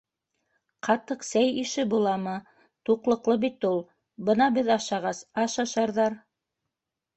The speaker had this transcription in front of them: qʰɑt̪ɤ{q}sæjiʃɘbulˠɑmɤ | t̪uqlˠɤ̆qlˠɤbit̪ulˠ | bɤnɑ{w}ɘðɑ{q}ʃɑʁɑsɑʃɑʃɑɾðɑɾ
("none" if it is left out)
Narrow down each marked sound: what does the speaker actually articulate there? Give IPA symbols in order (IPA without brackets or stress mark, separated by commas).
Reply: q, b, none